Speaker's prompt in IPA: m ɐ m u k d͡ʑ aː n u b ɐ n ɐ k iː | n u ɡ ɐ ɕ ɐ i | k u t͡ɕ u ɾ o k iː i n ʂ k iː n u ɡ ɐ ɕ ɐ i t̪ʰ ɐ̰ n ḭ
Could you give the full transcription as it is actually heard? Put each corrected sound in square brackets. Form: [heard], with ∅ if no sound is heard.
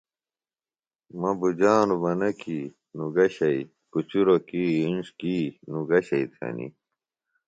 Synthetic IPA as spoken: m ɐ [b] u [∅] d͡ʑ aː n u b ɐ n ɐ k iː | n u ɡ ɐ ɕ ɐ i | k u t͡ɕ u ɾ o k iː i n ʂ k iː n u ɡ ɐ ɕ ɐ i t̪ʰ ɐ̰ n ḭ